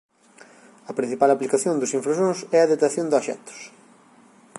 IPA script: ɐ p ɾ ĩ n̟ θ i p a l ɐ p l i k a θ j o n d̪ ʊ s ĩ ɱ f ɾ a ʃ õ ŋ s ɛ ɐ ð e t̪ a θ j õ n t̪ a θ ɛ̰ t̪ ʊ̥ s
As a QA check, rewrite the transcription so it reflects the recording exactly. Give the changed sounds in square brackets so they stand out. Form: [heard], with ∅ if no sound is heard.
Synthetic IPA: ɐ p ɾ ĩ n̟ θ i p a l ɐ p l i k a θ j o n d̪ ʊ s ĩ ɱ f ɾ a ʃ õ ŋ s ɛ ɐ ð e t̪ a θ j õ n [d̪] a [ʃ] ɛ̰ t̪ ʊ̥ s